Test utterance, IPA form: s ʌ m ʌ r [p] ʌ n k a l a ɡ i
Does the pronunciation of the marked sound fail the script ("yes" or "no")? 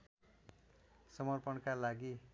no